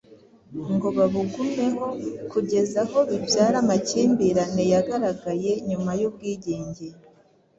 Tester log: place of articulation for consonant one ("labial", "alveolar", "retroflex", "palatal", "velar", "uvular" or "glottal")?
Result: velar